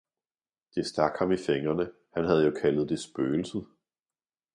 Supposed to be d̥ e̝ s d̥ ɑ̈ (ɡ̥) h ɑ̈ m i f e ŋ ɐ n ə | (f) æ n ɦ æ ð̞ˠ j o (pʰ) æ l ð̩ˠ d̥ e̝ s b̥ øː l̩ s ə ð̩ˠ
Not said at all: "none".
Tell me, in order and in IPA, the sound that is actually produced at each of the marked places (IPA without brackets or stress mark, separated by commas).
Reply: ɡ̥, h, kʰ